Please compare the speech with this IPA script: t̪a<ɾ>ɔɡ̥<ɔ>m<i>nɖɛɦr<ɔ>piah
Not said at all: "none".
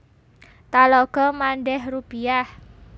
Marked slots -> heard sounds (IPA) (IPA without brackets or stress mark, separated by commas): l, ɔ, a, u